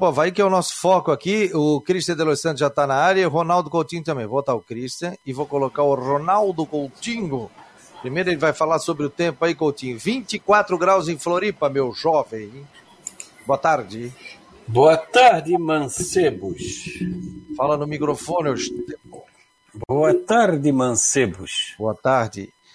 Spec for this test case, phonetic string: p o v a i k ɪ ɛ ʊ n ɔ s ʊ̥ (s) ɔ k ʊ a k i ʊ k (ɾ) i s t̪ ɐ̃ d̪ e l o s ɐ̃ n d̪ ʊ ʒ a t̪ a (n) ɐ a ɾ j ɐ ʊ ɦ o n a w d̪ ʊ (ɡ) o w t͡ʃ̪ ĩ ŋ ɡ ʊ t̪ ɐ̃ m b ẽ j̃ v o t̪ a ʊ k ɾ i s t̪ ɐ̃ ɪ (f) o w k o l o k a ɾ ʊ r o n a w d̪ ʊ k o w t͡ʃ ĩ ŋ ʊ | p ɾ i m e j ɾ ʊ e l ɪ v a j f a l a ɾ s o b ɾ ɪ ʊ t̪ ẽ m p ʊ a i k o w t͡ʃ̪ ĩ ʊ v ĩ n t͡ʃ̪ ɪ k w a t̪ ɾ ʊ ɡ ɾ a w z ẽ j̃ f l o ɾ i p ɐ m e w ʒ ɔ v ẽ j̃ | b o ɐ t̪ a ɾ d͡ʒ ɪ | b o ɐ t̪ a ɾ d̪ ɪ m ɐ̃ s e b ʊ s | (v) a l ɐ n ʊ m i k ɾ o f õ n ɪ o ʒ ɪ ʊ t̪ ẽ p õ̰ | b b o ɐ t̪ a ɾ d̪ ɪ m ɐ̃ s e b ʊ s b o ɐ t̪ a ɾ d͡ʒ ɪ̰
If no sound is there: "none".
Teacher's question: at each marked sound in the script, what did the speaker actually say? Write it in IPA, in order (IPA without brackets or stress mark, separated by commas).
f, ɾ, n, k, v, f